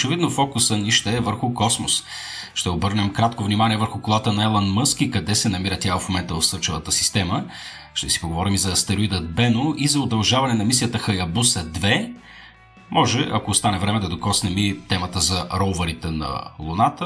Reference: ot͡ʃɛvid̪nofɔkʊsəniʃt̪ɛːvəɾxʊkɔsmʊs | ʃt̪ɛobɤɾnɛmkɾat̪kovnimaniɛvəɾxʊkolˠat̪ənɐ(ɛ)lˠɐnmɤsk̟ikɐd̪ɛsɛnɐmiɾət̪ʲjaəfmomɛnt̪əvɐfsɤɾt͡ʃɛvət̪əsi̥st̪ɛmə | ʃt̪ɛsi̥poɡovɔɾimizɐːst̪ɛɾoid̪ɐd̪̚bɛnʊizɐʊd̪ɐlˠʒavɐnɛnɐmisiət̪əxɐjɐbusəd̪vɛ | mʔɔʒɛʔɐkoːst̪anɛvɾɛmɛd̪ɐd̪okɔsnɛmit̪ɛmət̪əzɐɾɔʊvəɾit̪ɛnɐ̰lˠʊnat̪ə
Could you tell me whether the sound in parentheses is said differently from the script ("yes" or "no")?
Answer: no